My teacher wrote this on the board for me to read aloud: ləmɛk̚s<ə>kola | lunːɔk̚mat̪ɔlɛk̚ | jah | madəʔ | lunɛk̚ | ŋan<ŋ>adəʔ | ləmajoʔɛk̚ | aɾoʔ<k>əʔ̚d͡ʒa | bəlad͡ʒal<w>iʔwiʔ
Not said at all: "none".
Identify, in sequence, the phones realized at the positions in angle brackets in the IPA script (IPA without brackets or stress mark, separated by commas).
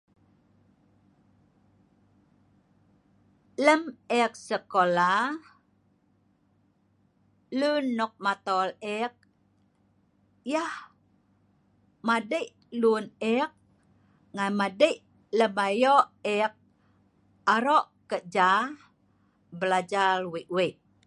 ə, m, k, w